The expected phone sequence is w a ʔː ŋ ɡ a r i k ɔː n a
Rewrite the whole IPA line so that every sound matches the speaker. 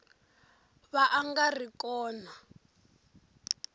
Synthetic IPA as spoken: β a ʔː ŋ ɡ a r i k ɔː n a